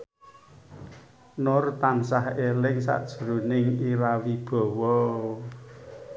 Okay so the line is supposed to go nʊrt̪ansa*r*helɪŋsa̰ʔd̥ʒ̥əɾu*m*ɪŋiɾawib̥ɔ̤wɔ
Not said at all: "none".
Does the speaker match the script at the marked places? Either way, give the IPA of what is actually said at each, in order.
none, n

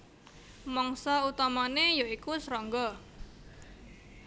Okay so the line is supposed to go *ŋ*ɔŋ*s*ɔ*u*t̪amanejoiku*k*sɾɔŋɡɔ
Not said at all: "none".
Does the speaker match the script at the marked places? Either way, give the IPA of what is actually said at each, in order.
m, s, u, none

